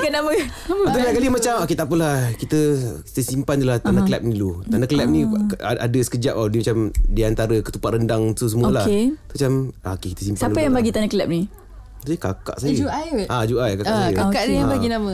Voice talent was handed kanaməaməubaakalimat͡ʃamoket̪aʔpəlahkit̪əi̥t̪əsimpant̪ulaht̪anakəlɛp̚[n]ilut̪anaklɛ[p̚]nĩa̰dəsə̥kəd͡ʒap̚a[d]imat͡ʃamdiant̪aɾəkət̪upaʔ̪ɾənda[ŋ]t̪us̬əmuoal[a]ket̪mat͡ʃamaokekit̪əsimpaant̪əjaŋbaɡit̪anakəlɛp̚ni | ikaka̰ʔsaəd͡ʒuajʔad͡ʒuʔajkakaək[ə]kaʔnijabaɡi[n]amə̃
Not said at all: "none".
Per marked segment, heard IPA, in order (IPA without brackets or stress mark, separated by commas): n, p̚, d, ŋ, a, a, n